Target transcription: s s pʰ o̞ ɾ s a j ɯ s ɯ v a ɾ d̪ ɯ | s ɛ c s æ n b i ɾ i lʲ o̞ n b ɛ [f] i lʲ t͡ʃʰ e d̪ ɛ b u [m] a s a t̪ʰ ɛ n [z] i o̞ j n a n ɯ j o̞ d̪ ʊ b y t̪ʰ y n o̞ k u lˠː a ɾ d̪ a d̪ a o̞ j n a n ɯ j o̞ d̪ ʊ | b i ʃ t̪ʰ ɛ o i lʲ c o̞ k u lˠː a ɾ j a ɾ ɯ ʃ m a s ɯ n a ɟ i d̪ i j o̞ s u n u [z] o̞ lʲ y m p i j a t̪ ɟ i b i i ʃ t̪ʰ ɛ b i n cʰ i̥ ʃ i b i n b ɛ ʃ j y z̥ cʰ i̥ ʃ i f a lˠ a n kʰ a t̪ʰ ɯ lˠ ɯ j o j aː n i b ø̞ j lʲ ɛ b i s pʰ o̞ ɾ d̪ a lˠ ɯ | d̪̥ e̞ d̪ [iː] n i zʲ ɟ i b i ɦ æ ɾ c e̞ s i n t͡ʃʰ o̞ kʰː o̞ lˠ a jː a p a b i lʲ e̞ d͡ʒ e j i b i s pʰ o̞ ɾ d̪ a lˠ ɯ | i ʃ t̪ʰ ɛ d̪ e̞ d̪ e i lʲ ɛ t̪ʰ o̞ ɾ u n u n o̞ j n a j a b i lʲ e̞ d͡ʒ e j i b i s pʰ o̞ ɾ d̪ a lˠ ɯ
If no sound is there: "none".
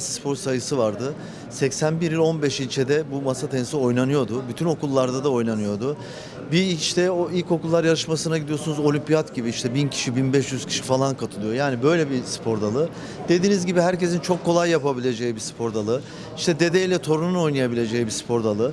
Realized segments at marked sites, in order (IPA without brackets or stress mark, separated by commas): ʃ, m, s, z, iː